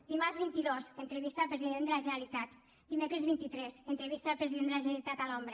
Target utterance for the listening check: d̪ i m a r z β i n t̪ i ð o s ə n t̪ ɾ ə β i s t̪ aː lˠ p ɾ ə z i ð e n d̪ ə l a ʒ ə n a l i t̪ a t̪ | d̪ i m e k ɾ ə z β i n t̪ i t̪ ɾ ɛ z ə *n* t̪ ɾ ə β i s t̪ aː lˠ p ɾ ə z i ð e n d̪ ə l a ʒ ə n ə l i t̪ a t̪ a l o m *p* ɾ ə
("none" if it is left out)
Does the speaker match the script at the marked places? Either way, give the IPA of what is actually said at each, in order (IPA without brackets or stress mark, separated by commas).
n, b